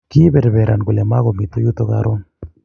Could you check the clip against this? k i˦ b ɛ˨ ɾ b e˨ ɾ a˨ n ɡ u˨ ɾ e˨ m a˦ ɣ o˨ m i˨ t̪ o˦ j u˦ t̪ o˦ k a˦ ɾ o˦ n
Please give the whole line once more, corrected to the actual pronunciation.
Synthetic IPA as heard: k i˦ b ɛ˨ ɾ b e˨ ɾ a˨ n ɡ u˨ l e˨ m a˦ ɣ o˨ m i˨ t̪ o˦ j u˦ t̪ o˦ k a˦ ɾ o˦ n